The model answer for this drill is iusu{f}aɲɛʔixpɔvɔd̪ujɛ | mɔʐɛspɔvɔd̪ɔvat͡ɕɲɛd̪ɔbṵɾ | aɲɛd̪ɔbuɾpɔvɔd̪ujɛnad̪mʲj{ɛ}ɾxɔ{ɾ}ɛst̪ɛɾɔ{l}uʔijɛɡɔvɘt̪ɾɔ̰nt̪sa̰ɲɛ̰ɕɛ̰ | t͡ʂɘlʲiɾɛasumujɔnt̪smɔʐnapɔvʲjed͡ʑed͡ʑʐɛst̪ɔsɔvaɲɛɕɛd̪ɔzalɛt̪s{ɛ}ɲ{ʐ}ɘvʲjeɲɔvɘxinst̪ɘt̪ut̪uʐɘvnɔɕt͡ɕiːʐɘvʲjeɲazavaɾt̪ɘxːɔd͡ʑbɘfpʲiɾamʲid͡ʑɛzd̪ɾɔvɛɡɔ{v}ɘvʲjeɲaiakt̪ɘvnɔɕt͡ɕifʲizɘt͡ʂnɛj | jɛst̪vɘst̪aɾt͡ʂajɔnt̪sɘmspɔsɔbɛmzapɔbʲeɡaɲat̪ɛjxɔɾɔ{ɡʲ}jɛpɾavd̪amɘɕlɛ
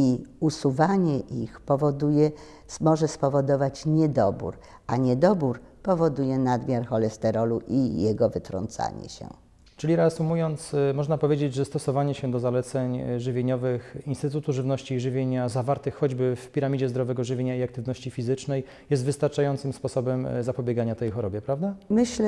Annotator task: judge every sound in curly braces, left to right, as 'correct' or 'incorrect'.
incorrect: v, incorrect: a, incorrect: l, correct, correct, correct, incorrect: ʐ, incorrect: bʲ

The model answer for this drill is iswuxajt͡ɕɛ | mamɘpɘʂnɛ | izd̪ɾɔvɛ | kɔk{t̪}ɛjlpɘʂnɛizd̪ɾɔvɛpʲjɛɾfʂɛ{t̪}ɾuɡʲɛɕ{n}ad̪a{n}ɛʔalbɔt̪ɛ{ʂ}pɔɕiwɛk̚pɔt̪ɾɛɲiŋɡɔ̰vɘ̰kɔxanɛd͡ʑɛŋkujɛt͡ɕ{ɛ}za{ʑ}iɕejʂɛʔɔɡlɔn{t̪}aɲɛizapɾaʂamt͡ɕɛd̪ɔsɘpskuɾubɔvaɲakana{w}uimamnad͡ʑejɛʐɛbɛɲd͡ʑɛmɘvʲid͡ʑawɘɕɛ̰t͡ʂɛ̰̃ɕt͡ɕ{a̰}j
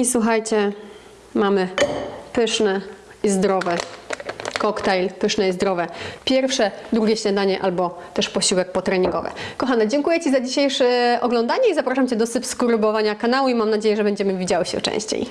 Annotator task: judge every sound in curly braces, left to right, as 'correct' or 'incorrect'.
correct, incorrect: d̪, incorrect: ɲ, incorrect: ɲ, correct, incorrect: i, incorrect: d͡ʑ, incorrect: d̪, correct, incorrect: ḛ

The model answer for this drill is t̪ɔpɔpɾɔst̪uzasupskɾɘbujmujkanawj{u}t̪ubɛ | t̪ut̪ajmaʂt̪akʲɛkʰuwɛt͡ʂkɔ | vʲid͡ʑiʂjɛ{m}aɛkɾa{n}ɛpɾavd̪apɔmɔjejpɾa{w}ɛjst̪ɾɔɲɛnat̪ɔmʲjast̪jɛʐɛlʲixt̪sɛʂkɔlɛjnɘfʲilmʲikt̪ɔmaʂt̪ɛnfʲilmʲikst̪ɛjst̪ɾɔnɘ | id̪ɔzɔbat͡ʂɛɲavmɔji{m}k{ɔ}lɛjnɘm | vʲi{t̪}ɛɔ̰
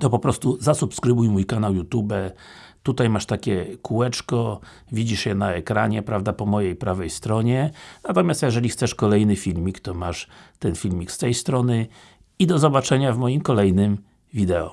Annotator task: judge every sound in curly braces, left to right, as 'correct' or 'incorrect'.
correct, incorrect: n, incorrect: ɲ, incorrect: v, correct, correct, incorrect: d̪

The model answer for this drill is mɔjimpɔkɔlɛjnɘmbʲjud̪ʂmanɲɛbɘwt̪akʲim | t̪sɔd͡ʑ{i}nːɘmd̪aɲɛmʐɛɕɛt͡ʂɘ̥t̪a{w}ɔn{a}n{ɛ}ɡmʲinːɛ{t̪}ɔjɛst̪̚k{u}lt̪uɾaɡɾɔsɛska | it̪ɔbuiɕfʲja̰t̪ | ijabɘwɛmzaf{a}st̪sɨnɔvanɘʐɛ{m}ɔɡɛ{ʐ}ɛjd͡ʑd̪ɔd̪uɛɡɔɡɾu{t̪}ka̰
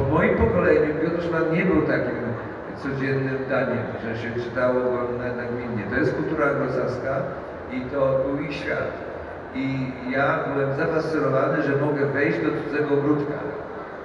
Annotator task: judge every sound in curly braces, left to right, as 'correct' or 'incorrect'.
incorrect: ɛ, correct, correct, incorrect: a, correct, correct, correct, correct, incorrect: v, correct

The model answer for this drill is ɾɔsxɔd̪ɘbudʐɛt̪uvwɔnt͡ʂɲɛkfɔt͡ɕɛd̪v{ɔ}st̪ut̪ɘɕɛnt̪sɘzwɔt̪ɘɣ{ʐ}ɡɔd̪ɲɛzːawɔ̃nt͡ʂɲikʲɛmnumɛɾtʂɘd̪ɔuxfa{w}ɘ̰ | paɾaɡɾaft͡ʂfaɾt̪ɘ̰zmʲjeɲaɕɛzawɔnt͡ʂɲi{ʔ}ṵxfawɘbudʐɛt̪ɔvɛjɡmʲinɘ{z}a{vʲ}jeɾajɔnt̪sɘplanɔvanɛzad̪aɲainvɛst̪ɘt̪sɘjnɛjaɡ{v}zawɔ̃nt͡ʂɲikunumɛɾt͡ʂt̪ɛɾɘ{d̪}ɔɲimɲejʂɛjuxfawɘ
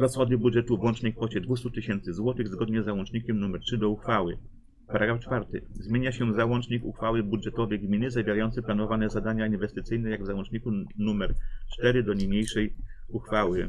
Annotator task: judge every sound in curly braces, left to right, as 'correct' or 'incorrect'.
incorrect: u, incorrect: z, correct, incorrect: k, correct, correct, correct, correct

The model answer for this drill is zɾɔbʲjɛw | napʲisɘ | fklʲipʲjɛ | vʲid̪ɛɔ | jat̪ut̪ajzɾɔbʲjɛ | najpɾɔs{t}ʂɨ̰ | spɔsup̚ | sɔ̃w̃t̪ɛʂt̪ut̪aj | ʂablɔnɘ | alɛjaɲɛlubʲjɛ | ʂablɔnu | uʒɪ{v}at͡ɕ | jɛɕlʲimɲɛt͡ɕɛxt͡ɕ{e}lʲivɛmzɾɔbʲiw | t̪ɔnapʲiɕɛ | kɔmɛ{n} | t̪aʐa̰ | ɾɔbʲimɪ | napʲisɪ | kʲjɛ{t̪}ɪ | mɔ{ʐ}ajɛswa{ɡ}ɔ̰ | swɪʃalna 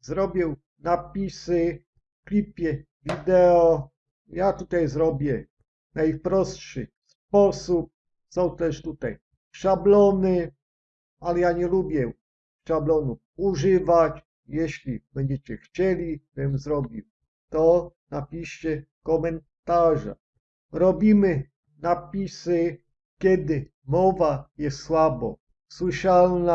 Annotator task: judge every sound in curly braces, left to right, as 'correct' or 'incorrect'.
correct, correct, incorrect: ɛ, correct, incorrect: d̪, incorrect: v, incorrect: b

